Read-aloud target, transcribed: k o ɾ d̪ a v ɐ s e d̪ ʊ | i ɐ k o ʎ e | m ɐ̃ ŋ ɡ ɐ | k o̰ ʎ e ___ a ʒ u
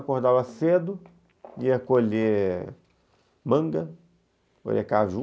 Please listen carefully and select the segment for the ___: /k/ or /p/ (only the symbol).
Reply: k